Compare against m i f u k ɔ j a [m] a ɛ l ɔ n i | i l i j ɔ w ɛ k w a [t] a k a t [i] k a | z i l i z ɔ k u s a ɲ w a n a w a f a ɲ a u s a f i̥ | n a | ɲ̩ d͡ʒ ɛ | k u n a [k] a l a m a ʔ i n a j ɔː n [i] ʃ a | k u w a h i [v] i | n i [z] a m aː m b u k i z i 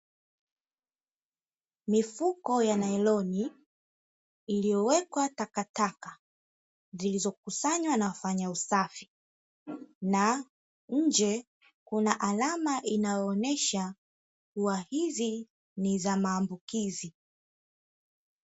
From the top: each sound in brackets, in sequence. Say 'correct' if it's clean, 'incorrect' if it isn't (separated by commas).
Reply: incorrect, correct, incorrect, incorrect, incorrect, incorrect, correct